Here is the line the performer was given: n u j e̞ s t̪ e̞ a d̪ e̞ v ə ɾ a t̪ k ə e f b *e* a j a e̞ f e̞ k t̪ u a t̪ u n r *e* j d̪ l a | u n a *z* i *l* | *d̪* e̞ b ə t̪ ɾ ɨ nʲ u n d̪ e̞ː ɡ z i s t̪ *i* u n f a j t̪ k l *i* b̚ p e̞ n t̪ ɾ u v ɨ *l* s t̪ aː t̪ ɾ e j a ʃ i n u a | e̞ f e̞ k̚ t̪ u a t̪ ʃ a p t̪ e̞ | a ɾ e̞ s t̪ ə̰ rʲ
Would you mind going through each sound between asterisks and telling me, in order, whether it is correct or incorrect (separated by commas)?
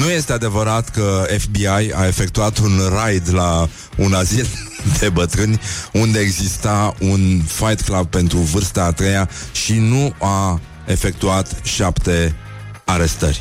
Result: incorrect, incorrect, correct, correct, correct, incorrect, incorrect, incorrect